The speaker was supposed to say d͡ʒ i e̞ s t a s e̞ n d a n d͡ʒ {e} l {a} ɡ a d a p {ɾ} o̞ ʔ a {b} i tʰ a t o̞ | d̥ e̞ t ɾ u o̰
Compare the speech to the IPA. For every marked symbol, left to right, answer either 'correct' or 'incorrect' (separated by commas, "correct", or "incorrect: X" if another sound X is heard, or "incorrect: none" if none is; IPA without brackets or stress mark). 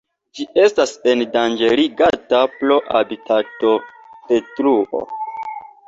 correct, incorrect: i, incorrect: l, correct